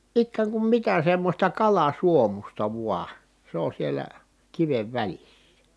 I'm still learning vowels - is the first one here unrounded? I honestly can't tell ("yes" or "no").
yes